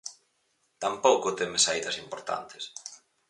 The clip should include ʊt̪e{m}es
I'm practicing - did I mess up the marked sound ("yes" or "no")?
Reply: no